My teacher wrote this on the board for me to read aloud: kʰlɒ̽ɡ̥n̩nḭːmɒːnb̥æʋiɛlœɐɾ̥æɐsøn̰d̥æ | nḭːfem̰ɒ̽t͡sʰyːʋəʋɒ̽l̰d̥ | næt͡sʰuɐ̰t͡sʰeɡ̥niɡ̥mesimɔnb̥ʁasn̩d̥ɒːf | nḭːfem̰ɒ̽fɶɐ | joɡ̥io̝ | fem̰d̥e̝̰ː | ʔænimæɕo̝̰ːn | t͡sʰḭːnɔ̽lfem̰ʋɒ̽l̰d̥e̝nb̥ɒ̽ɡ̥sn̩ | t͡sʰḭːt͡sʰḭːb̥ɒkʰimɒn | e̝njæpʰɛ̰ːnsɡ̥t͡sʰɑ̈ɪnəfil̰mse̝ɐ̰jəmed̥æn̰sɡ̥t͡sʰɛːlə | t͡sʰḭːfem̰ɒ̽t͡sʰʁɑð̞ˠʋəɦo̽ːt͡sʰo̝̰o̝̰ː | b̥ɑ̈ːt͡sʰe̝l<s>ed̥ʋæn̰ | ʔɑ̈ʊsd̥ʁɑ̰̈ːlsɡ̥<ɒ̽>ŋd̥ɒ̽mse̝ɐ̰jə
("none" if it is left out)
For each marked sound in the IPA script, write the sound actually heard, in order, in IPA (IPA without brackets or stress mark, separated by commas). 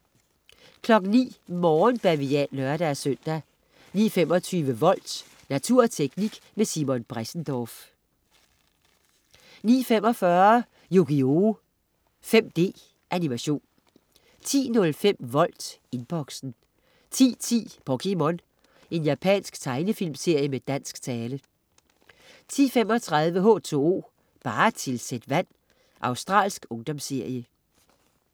s, ɔ̽